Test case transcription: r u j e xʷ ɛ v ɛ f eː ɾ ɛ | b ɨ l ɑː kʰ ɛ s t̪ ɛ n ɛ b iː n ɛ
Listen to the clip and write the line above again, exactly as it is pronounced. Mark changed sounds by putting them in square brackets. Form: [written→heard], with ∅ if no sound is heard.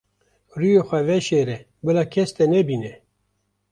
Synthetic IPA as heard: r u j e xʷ ɛ v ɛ [f→ʃ] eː ɾ ɛ | b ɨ l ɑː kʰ ɛ s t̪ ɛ n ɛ b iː n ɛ